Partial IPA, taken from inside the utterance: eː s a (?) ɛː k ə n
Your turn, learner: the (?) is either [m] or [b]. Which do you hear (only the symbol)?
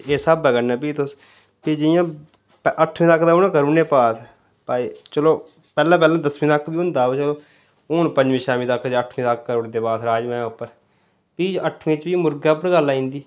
b